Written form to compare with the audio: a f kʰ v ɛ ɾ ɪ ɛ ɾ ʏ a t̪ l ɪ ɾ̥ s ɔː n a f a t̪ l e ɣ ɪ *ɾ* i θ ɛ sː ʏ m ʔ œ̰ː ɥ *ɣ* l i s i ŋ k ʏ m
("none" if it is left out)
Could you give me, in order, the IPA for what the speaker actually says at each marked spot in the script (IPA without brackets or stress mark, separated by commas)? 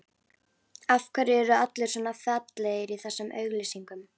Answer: ɾ, ɣ